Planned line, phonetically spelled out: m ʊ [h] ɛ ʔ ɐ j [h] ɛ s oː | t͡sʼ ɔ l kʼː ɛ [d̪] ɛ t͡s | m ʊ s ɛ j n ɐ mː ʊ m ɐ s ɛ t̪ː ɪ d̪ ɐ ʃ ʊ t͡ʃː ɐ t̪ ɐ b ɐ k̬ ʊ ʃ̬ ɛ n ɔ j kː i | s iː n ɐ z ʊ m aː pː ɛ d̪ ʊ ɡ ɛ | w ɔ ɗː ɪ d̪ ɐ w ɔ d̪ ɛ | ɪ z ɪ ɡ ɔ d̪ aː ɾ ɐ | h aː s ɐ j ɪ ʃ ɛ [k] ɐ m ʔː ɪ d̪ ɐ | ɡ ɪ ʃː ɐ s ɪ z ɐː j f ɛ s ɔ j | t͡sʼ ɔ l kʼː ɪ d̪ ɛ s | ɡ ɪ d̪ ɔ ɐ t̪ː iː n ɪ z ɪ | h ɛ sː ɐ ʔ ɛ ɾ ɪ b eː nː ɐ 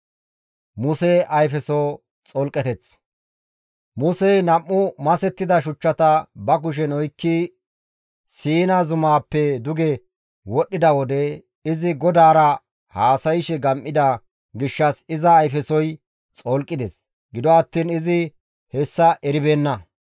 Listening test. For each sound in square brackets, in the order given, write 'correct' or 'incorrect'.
incorrect, incorrect, incorrect, incorrect

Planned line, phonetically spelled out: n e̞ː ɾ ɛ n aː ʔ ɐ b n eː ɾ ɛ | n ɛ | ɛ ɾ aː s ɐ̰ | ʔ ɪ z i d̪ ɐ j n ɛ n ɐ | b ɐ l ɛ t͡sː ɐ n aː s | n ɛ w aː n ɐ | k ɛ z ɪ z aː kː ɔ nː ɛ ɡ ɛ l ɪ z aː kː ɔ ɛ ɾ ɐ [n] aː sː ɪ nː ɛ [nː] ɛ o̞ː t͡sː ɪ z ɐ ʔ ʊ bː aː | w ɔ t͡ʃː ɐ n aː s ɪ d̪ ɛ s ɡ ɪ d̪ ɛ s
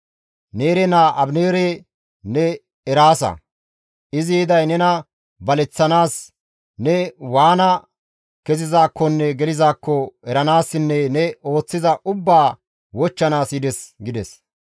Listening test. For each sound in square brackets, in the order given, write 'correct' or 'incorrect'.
correct, incorrect

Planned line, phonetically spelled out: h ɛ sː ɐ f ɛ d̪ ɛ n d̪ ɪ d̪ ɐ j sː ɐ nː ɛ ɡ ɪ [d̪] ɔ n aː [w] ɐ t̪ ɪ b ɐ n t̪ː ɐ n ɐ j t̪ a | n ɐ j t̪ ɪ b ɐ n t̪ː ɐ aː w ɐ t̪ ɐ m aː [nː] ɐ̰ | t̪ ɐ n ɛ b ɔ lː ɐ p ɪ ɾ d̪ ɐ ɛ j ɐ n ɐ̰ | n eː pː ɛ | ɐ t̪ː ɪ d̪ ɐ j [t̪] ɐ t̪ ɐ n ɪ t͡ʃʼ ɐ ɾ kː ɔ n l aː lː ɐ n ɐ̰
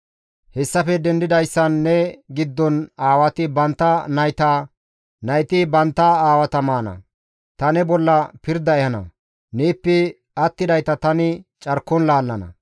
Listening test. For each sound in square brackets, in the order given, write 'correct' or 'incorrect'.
incorrect, correct, incorrect, correct

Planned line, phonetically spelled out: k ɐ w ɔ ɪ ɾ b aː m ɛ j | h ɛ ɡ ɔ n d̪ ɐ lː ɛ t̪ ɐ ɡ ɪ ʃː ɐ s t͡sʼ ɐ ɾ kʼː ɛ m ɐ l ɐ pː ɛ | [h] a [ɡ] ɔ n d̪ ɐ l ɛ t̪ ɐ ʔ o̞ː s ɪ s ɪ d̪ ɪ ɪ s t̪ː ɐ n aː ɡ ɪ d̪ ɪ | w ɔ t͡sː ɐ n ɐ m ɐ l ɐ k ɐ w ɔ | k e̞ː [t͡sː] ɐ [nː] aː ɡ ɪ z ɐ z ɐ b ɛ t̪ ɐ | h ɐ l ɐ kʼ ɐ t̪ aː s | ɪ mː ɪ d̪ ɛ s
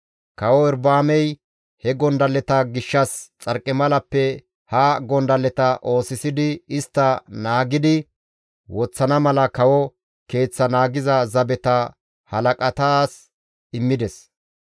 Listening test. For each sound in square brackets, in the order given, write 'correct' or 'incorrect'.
correct, correct, correct, incorrect

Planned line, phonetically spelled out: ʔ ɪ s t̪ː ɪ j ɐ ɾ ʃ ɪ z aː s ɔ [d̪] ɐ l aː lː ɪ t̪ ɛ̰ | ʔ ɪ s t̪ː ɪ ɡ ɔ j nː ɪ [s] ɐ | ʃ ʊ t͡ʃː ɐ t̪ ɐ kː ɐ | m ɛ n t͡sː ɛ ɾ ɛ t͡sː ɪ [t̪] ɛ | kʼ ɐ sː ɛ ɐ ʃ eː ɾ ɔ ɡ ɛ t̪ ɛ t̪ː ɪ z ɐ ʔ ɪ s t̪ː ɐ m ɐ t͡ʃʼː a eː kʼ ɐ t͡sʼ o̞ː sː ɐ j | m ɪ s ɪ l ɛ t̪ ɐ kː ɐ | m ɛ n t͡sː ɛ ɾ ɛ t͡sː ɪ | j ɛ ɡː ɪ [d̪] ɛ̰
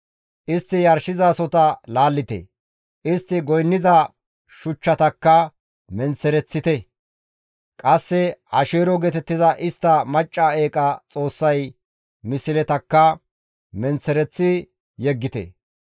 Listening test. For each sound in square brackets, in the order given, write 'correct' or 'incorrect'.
incorrect, incorrect, correct, incorrect

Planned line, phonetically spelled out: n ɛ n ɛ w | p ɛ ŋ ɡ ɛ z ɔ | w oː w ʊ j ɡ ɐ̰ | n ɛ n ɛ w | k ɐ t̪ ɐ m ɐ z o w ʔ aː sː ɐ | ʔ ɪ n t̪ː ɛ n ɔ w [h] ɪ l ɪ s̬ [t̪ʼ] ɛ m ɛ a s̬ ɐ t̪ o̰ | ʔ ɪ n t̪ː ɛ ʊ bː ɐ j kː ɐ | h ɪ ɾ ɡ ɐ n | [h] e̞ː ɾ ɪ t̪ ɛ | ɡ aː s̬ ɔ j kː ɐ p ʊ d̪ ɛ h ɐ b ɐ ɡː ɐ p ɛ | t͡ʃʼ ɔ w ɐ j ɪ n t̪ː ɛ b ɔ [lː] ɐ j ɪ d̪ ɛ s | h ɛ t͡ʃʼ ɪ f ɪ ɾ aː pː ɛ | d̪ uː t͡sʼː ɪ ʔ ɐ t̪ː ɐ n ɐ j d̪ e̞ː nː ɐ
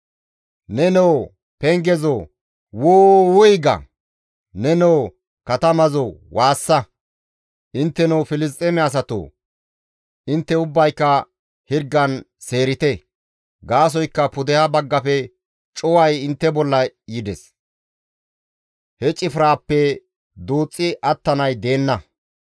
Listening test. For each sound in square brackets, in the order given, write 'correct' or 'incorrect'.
incorrect, correct, incorrect, correct

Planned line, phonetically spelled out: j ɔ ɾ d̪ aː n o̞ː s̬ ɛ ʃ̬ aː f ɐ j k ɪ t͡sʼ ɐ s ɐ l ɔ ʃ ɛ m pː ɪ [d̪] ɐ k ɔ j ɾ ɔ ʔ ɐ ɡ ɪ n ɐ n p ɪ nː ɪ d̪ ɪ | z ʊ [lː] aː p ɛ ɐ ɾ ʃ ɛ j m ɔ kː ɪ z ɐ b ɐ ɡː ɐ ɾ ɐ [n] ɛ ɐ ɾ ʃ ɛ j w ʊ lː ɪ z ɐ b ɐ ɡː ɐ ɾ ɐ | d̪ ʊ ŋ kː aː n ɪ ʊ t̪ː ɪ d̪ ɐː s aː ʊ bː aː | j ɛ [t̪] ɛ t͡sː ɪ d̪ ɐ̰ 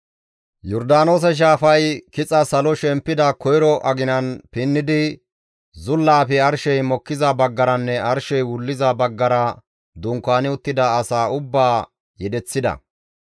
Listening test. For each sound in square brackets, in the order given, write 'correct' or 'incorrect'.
correct, correct, incorrect, incorrect

